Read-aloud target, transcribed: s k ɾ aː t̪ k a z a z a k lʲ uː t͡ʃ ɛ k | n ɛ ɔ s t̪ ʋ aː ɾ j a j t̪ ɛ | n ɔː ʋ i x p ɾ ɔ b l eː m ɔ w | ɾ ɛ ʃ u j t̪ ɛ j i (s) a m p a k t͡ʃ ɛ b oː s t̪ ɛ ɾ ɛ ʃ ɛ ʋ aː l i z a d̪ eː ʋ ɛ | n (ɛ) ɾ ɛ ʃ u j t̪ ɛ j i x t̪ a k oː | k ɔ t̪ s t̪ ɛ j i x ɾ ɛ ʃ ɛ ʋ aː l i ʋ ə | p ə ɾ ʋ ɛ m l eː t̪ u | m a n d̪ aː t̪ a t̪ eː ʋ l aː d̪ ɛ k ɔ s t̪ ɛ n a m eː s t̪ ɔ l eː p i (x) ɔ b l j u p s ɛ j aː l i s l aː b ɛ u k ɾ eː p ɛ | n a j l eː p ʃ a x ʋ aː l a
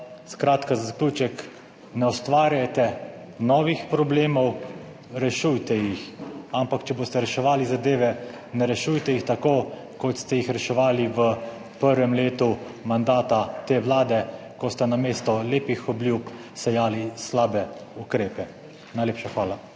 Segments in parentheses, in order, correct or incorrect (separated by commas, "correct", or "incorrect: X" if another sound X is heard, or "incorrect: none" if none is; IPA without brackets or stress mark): incorrect: x, correct, correct